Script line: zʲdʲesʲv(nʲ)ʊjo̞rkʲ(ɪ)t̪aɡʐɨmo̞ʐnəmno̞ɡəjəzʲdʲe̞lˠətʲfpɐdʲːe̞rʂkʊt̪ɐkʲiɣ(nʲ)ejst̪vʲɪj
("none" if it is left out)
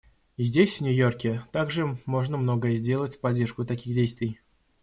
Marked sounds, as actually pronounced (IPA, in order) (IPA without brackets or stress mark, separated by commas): nʲ, ɪ, dʲ